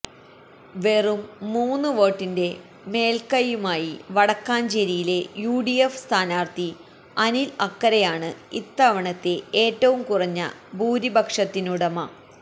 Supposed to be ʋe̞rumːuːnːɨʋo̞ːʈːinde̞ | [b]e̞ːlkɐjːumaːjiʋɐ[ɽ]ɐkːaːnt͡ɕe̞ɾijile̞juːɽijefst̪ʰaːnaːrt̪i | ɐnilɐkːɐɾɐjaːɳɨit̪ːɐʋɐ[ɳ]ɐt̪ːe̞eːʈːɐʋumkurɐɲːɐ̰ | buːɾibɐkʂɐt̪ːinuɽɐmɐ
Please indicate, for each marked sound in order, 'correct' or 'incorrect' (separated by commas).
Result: incorrect, correct, correct